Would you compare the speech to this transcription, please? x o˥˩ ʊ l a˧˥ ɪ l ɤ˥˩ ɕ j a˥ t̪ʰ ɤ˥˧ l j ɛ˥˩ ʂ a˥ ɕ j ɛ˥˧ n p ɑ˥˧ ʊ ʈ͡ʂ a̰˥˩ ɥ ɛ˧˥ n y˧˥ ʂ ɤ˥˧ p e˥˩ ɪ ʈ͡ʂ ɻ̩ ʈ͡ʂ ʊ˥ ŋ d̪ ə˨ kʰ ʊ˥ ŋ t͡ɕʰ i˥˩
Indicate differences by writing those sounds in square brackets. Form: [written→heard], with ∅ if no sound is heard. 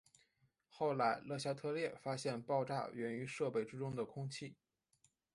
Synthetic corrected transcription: x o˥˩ ʊ l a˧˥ ɪ l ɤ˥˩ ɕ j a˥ t̪ʰ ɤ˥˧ l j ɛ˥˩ [ʂ→f] a˥ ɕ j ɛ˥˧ n p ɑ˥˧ ʊ ʈ͡ʂ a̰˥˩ ɥ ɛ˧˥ n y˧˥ ʂ ɤ˥˧ p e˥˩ ɪ ʈ͡ʂ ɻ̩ ʈ͡ʂ ʊ˥ ŋ d̪ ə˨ kʰ ʊ˥ ŋ t͡ɕʰ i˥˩